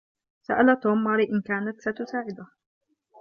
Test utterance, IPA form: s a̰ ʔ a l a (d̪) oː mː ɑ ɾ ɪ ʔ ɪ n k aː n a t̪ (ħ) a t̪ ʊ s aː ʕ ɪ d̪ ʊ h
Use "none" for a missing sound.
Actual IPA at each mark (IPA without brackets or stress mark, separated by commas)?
t̪, s